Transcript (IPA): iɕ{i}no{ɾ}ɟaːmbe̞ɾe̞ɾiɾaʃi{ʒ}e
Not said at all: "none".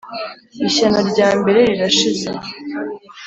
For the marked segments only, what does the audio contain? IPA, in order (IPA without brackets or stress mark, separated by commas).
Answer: a, ɾ, z